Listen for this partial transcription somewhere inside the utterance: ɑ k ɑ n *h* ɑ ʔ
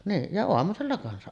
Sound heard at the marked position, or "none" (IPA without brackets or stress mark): s